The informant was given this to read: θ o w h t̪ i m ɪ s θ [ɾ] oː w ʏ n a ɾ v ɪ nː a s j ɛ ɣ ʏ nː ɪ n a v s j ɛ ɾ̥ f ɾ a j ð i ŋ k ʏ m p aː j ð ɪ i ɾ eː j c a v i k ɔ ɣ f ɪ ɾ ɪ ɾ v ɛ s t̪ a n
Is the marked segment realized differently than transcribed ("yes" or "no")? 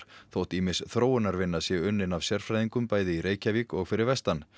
no